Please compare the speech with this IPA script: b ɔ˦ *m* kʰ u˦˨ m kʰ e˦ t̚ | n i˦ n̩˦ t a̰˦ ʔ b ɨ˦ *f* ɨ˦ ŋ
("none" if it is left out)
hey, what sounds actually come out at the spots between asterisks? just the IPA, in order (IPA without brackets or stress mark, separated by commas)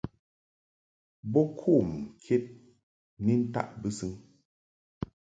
none, s